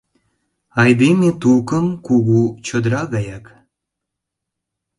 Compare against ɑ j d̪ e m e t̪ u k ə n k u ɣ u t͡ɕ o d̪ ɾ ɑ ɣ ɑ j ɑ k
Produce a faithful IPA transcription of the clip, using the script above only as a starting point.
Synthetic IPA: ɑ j d̪ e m e t̪ u k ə m k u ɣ u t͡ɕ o d̪ ɾ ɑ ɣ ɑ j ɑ k